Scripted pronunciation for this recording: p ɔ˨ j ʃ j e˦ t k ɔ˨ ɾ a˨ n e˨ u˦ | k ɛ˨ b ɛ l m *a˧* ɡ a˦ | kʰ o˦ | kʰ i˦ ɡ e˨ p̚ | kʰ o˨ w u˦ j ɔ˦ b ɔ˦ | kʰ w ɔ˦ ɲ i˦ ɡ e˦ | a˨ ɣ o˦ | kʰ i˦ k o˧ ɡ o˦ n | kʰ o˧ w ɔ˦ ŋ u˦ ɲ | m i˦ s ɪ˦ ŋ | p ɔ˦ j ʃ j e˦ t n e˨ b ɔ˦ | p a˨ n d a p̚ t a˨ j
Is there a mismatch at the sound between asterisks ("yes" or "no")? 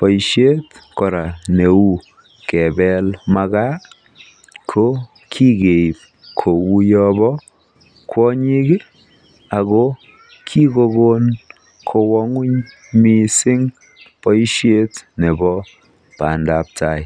no